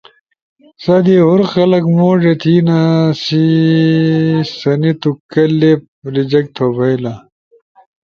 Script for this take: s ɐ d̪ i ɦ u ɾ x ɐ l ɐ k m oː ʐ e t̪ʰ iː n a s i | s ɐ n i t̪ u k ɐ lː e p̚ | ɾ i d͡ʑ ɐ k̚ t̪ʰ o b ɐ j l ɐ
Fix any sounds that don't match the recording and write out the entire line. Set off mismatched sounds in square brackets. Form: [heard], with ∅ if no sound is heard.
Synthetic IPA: s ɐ d̪ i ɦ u ɾ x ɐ l ɐ k m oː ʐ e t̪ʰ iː n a s i | s ɐ n i t̪ u k ɐ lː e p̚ | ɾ i d͡ʑ ɐ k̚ t̪ʰ o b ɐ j l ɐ